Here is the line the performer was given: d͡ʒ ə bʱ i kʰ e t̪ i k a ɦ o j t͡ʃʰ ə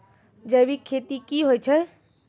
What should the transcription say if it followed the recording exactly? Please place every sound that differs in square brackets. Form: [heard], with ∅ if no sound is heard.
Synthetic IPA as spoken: d͡ʒ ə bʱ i kʰ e t̪ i k [i] ɦ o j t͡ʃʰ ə